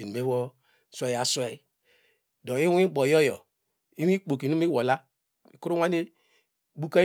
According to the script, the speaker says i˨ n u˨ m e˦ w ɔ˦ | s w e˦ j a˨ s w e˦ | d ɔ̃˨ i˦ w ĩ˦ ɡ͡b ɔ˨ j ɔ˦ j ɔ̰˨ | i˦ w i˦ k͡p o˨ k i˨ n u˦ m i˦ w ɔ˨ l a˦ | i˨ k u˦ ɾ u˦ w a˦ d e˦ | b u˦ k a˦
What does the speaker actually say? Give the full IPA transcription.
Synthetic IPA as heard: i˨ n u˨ m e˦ w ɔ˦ | s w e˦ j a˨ s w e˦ | d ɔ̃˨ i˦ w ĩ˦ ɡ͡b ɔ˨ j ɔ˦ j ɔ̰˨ | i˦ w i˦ k͡p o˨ k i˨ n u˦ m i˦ w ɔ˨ l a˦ | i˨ k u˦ ɾ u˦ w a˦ n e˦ | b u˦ k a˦